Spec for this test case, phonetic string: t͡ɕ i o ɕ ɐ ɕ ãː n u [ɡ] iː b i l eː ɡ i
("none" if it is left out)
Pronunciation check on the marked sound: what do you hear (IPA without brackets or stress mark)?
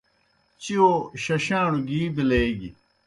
ɡ